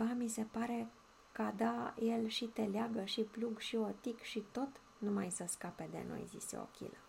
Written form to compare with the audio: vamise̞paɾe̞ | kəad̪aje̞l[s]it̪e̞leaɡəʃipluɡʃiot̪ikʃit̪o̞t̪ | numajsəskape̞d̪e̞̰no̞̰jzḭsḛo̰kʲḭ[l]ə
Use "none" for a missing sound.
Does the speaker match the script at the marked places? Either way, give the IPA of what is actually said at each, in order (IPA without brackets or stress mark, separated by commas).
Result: ʃ, l